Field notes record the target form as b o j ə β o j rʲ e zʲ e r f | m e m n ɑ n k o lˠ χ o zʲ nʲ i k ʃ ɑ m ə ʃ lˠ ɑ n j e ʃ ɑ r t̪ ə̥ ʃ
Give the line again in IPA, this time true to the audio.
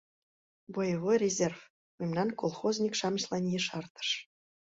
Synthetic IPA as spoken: b o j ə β o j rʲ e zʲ e r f | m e m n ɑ n k o lˠ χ o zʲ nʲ i k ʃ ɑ m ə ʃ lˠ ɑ n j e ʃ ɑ r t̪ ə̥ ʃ